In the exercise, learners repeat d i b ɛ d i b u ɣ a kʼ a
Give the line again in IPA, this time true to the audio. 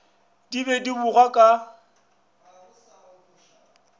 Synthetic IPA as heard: d i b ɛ d i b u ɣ a kʼ a

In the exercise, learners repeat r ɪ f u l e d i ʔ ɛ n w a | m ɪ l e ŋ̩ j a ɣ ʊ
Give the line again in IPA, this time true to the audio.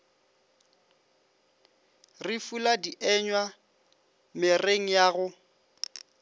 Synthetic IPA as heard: r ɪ f u l a d i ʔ ɛ ɲ w a | m ɪ r e ŋ̩ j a ɣ ʊ

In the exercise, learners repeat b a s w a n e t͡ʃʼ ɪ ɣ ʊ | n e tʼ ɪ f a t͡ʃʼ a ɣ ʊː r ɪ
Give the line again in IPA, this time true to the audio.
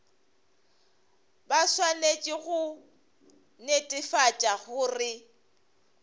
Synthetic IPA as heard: b a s w a n e t͡ʃʼ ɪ ɣ ʊ | n e tʼ ɪ f a t͡ʃʼ a ɣ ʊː r ɪ

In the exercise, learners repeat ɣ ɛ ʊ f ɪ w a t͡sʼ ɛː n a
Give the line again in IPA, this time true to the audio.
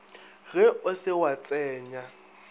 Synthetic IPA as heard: ɣ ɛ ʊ s ɪ w a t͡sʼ ɛː ɲ a

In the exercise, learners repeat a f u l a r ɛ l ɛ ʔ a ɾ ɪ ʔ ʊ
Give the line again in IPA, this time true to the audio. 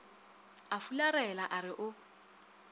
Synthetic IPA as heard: a f u l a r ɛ l a ʔ a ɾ ɪ ʔ ʊ

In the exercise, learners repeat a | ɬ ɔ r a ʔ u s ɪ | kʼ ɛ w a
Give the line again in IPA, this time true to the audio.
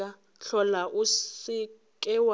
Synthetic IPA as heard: a | ɬ ɔ l a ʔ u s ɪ | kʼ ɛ w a

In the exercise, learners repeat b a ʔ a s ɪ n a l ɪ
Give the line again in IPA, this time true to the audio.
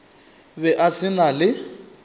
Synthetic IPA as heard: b ɛ ʔ a s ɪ n a l ɪ

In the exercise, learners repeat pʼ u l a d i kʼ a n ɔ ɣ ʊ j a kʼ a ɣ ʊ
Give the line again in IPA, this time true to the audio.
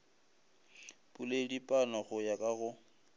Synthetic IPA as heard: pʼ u l e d i pʼ a n ɔ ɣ ʊ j a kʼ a ɣ ʊ

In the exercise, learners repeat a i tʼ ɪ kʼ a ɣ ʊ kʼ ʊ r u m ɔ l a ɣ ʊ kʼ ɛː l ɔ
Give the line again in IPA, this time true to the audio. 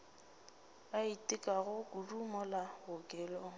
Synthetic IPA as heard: a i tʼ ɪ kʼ a ɣ ʊ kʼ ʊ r u m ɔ l a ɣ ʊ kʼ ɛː l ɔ

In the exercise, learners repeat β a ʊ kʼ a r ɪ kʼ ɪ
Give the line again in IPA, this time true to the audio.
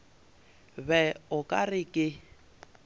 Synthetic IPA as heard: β ɛ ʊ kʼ a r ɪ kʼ ɪ

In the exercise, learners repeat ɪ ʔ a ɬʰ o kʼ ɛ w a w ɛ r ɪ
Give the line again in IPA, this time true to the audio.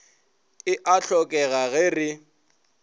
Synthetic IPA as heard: ɪ ʔ a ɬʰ ɔ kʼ ɛ ɣ a ɣ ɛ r ɪ

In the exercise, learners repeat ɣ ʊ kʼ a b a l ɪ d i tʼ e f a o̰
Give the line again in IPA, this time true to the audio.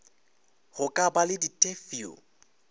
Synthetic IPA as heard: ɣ ʊ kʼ a b a l ɪ d i tʼ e f i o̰

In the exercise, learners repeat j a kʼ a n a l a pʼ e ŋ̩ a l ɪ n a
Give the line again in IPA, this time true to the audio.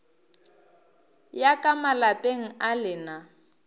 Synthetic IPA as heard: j a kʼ a m a l a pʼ e ŋ̩ a l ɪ n a

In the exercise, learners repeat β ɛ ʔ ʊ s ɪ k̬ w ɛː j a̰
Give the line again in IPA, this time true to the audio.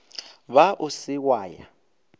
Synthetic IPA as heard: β a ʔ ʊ s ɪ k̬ w aː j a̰

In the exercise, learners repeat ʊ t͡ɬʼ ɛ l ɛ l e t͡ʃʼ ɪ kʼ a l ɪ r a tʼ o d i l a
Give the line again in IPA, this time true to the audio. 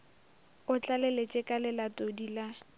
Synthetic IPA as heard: ʊ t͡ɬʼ a l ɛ l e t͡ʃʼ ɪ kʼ a l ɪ l a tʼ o d i l a

